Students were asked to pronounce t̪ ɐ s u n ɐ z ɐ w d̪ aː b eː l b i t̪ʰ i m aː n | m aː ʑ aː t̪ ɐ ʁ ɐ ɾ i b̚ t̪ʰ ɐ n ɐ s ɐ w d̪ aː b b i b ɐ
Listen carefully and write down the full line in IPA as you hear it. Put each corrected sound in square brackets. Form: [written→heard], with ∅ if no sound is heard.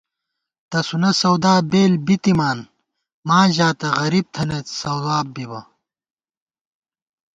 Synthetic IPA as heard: t̪ ɐ s u n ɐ [z→s] ɐ w d̪ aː b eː l b i [t̪ʰ→t̪] i m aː n | m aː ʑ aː t̪ ɐ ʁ ɐ ɾ i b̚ t̪ʰ ɐ n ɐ s ɐ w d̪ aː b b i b ɐ